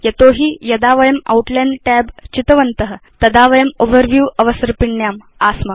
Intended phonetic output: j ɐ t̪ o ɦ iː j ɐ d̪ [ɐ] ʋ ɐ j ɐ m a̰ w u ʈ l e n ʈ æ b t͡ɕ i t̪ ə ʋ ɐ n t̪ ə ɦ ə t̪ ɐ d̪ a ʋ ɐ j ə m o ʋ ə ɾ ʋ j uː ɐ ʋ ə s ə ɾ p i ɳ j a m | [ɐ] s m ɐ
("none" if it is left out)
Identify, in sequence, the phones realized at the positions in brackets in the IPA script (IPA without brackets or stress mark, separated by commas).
a, a